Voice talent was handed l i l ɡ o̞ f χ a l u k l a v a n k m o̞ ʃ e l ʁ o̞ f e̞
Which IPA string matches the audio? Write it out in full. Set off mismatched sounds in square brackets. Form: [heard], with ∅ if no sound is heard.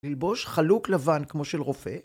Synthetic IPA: l i l [b] o̞ [ʃ] χ a l u k l a v a n k m o̞ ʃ e l ʁ o̞ f e̞